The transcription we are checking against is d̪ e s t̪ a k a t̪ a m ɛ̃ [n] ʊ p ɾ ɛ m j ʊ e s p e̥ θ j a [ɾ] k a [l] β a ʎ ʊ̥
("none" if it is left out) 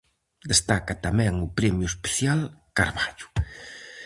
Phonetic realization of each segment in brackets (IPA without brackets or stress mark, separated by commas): ŋ, l, ɾ